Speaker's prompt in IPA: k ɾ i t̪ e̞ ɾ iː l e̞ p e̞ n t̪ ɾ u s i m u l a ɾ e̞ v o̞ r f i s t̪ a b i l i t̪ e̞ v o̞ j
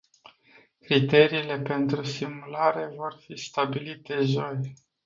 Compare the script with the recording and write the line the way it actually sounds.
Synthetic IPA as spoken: k ɾ i t̪ e̞ ɾ iː l e̞ p e̞ n t̪ ɾ u s i m u l a ɾ e̞ v o̞ r f i s t̪ a b i l i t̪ e̞ ʒ o̞ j